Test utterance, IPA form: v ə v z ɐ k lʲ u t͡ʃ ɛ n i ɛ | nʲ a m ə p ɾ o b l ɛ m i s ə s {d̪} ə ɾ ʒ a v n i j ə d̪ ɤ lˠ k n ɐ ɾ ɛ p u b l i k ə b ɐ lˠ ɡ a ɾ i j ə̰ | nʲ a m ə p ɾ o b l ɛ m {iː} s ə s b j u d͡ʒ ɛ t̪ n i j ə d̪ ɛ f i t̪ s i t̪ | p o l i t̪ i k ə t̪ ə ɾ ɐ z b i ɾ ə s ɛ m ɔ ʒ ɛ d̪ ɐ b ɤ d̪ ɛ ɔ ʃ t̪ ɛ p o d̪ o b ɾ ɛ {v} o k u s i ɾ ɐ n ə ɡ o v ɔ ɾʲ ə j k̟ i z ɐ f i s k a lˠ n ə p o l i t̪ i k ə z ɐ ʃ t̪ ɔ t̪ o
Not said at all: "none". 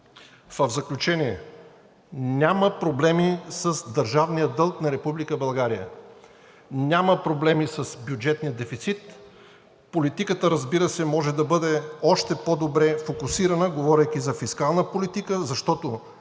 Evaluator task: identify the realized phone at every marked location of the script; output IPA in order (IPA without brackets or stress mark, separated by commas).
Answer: d̪, i, f